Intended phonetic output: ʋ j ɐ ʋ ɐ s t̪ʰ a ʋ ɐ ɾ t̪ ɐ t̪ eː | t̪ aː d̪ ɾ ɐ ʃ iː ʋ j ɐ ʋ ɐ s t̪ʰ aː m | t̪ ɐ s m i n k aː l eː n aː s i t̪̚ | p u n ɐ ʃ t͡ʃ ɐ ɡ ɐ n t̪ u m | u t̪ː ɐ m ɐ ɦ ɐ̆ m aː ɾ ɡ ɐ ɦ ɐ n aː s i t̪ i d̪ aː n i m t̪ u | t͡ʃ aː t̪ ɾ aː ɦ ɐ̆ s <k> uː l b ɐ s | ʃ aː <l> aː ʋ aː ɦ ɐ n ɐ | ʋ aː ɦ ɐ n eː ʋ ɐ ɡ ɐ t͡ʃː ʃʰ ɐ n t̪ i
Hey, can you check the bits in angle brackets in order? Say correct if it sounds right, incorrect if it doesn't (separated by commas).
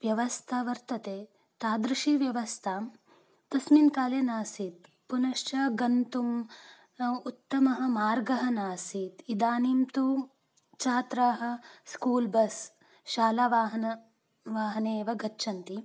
correct, correct